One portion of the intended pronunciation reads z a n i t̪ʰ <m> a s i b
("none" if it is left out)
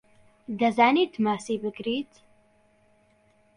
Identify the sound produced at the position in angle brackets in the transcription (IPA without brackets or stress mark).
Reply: m